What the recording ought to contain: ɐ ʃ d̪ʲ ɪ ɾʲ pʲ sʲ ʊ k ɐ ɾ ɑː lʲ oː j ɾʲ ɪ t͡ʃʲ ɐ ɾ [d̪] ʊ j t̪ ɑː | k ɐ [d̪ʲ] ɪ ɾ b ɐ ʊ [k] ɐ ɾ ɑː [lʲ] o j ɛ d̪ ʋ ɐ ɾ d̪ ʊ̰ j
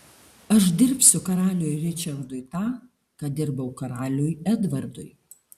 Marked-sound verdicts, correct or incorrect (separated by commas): correct, correct, correct, correct